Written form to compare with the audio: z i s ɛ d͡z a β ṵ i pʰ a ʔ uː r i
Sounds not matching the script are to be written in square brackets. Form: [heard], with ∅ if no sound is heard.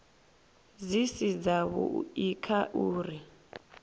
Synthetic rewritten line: z i s [i] d͡z a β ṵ i [kʰ] a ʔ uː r i